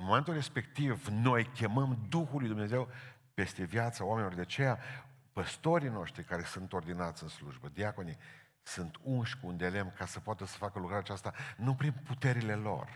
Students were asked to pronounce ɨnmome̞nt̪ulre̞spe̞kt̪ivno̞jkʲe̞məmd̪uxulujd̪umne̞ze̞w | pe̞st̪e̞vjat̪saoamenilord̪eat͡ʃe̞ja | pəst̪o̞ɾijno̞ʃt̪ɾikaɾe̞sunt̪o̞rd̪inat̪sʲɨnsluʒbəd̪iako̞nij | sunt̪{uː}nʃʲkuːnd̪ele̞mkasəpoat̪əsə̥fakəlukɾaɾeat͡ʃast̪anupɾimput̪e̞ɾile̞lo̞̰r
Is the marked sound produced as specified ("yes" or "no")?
no